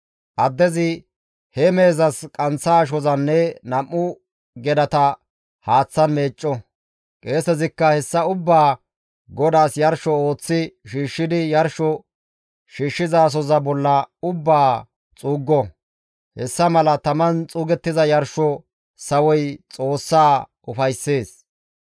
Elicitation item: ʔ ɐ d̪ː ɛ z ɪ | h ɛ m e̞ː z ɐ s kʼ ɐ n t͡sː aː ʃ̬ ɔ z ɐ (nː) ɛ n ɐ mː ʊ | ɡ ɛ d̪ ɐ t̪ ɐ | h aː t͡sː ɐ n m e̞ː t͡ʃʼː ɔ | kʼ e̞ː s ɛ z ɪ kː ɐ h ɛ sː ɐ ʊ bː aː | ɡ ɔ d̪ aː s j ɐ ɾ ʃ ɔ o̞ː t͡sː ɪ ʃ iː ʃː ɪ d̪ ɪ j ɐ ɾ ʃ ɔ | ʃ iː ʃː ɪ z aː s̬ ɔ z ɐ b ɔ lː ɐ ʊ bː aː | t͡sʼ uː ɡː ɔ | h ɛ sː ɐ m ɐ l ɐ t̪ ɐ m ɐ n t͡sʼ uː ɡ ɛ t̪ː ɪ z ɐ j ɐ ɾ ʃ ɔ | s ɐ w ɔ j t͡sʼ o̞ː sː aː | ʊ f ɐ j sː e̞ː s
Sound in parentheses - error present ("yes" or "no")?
no